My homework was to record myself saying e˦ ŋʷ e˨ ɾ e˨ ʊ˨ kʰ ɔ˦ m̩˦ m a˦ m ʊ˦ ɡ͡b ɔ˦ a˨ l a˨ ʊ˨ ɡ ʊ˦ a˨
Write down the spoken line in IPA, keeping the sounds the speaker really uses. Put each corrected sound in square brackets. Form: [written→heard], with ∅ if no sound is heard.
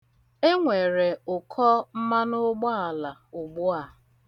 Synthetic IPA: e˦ ŋʷ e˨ ɾ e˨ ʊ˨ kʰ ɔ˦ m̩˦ m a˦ [m→n] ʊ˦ ɡ͡b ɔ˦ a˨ l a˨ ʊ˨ [ɡ→ɡ͡b] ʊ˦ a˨